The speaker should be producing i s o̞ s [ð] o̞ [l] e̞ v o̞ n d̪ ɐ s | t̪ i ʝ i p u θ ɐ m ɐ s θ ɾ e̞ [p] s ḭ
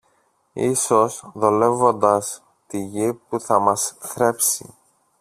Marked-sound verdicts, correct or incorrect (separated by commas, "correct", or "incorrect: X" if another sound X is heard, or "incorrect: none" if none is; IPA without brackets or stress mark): correct, correct, correct